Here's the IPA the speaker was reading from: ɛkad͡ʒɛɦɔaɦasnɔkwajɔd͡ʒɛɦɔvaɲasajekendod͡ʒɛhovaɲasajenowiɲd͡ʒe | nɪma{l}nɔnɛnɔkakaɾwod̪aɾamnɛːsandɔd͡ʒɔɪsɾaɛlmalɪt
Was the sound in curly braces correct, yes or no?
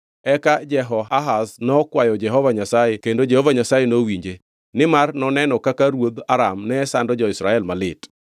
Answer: no